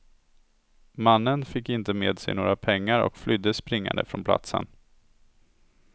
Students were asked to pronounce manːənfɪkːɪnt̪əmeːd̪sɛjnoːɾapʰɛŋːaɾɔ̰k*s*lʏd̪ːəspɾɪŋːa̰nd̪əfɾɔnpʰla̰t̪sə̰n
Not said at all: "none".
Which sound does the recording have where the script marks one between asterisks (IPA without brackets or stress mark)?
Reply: f